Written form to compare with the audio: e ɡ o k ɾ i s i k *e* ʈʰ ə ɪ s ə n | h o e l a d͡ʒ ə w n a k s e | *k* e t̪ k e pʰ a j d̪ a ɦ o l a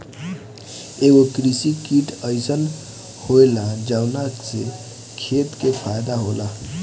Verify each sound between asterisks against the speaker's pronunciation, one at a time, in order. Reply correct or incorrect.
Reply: incorrect, incorrect

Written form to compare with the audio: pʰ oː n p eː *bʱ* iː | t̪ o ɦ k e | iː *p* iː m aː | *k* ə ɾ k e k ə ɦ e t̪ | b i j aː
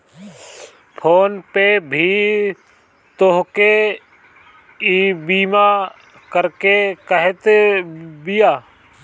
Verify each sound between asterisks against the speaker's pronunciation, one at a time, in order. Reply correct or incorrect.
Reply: correct, incorrect, correct

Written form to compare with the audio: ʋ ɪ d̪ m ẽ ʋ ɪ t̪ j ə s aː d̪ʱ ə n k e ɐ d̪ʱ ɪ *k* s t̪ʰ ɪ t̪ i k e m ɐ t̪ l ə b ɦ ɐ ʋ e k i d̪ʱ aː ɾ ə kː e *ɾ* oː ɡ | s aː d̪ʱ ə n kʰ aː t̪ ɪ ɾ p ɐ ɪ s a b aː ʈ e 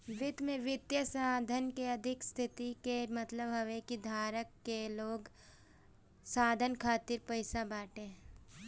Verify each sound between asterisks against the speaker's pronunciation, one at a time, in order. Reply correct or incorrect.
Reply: correct, incorrect

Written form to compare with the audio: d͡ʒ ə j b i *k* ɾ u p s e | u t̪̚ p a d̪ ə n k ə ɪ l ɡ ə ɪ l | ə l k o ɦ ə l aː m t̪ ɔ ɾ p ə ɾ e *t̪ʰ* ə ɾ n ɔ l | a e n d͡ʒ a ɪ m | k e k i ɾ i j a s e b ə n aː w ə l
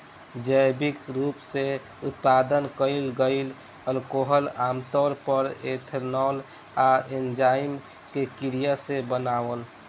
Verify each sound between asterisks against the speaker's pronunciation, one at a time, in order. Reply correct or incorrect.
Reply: correct, correct

